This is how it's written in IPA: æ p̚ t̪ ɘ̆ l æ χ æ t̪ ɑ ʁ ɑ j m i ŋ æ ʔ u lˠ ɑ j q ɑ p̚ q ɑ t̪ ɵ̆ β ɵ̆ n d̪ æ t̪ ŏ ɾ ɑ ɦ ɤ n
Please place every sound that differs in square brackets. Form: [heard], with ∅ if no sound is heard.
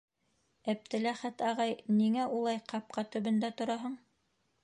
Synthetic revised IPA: æ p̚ t̪ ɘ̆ l æ χ æ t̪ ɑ ʁ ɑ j [n] i ŋ æ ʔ u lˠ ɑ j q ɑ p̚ q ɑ t̪ ɵ̆ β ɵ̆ n d̪ æ t̪ ŏ ɾ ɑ ɦ ɤ [ɴ]